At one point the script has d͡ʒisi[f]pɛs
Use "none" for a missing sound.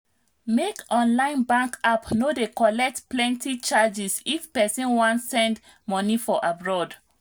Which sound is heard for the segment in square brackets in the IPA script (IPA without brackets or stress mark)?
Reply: f